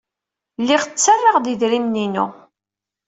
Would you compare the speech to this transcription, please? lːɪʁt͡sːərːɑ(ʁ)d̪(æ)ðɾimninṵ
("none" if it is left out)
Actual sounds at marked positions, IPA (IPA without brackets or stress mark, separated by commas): ʁ, i